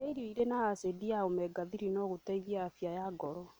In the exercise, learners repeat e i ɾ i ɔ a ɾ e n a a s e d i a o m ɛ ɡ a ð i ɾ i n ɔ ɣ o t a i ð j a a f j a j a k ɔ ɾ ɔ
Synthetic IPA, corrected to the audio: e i ɾ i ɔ i ɾ e n a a s e d i a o m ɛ ɡ a ð i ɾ i n ɔ ɣ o t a i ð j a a f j a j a ɡ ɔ ɾ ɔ